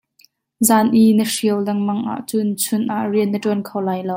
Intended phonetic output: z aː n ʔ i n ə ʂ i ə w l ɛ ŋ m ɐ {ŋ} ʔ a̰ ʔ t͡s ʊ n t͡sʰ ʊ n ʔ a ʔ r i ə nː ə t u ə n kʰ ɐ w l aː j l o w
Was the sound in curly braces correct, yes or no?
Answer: yes